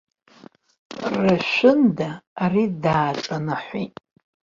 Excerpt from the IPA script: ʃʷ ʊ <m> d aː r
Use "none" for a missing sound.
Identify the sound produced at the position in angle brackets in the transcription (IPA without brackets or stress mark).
n